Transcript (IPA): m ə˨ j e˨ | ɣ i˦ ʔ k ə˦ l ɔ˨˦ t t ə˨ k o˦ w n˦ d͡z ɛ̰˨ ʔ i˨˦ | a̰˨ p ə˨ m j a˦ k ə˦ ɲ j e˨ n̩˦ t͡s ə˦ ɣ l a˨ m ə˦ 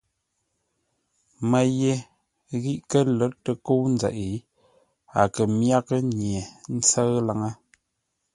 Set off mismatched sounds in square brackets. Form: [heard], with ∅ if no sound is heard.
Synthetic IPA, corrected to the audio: m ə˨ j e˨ | ɣ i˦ ʔ k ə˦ l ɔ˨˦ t t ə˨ k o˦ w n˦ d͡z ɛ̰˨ ʔ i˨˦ | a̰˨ [k] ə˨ m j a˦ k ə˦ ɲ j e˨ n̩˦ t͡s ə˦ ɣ l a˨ [ŋ] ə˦